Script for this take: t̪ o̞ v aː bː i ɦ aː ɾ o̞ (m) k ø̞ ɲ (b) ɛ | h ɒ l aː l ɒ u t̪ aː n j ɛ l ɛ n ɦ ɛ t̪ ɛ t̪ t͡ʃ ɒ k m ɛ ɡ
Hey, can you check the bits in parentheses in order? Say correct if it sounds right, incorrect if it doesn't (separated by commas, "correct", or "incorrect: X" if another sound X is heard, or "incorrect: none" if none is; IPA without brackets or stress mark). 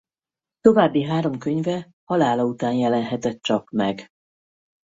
correct, incorrect: v